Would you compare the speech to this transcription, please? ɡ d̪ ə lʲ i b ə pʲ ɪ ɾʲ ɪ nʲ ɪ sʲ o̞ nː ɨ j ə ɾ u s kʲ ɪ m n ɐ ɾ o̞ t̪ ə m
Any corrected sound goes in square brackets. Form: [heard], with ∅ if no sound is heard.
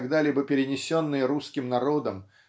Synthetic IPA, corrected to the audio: ɡ d̪ [a] lʲ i b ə pʲ ɪ ɾʲ ɪ nʲ ɪ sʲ o̞ nː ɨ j ə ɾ u s kʲ ɪ m n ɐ ɾ o̞ [d̪] ə m